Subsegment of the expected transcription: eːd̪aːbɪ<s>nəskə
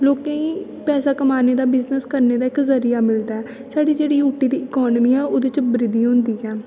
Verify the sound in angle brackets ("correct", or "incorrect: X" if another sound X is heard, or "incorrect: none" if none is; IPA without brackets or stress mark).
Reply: incorrect: z